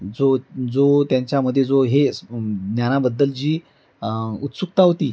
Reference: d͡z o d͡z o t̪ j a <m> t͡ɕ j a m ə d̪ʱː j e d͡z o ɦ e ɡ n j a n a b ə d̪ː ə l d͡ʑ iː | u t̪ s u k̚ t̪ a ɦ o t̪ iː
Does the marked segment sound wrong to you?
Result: yes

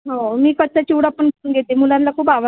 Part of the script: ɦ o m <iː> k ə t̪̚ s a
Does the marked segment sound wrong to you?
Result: no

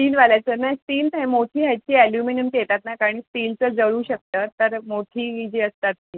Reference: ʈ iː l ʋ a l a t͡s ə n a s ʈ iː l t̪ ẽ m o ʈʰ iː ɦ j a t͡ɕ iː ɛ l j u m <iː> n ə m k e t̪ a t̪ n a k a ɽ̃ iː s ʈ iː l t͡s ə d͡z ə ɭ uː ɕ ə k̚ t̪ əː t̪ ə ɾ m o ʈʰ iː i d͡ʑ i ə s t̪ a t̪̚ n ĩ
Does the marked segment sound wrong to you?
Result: yes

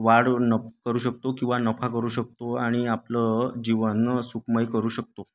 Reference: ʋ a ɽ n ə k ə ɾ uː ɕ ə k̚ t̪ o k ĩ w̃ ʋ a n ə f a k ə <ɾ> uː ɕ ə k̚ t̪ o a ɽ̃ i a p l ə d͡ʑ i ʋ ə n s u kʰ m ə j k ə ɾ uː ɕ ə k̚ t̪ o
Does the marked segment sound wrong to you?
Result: no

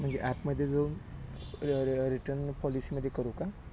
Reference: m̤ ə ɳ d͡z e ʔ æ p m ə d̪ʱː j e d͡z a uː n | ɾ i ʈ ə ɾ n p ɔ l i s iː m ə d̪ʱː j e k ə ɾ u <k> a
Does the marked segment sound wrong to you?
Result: no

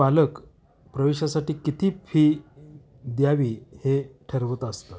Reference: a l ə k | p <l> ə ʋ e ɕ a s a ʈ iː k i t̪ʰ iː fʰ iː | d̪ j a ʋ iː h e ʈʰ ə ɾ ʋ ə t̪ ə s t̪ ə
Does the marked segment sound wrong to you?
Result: yes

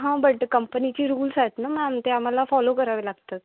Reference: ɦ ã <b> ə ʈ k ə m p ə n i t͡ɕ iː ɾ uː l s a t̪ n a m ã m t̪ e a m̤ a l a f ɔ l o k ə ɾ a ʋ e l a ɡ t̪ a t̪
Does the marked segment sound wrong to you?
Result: no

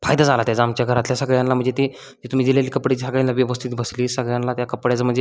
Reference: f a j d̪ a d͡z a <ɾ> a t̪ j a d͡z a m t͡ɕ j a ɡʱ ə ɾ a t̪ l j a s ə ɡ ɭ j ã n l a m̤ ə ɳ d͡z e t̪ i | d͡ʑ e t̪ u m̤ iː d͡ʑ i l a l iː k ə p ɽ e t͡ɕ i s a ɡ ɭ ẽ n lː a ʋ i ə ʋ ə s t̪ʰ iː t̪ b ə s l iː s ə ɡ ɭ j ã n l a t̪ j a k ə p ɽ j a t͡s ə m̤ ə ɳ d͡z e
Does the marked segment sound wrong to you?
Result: yes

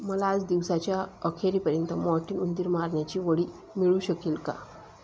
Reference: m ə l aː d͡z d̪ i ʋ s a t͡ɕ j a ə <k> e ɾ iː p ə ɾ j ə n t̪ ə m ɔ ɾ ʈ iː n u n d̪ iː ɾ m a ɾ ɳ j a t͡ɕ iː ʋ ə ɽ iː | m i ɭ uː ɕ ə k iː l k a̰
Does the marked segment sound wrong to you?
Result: yes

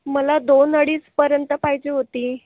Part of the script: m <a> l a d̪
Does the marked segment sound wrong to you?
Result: yes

